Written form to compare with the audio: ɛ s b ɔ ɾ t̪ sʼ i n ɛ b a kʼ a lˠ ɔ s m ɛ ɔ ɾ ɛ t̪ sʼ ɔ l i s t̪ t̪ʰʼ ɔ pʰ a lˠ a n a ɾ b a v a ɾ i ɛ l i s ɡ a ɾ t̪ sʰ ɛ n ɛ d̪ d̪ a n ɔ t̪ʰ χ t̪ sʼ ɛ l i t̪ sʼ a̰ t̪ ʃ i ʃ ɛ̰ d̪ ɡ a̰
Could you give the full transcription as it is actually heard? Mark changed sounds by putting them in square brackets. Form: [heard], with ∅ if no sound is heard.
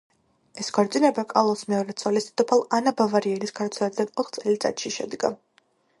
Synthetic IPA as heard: ɛ s [ɡ] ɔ ɾ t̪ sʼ i n ɛ b a kʼ a lˠ ɔ s m ɛ ɔ ɾ ɛ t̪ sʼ ɔ l i s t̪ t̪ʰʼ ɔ pʰ a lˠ a n a [∅] b a v a ɾ i ɛ l i s ɡ a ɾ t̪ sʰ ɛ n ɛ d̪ d̪ a n ɔ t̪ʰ χ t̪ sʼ ɛ l i t̪ sʼ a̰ t̪ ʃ i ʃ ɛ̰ d̪ ɡ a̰